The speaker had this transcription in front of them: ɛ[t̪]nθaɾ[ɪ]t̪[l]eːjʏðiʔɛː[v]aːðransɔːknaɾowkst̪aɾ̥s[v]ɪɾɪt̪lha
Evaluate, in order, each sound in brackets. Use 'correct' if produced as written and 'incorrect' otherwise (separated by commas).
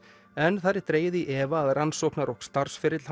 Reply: incorrect, correct, incorrect, correct, incorrect